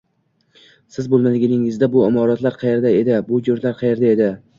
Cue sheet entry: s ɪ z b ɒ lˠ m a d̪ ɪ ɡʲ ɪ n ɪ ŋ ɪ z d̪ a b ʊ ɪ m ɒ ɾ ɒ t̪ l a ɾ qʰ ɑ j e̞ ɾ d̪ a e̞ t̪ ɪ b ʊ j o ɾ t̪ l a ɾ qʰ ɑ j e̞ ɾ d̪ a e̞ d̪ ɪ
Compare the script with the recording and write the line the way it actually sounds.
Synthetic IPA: s ɪ z b o lˠ m a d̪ ɪ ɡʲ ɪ n ɪ ŋ ɪ z d̪ a b ʊ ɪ m ɒ ɾ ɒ t̪ l a ɾ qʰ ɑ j e̞ ɾ d̪ a e̞ d̪ ɪ b ʊ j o ɾ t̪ l a ɾ qʰ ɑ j e̞ ɾ d̪ a e̞ d̪ ɪ